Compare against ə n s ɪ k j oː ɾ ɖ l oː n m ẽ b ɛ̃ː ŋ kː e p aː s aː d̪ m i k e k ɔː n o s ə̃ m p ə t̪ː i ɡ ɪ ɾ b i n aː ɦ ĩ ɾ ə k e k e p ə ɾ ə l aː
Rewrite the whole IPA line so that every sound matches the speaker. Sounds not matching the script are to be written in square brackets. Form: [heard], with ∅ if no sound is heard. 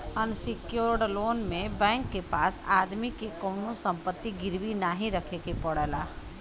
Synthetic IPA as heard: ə n s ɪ k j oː ɾ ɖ l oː n m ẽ b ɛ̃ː ŋ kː e p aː s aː d̪ m i k e k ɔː n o s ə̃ m p ə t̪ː i ɡ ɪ ɾ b i n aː ɦ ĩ ɾ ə [kʰ] e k e p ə [ɽ] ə l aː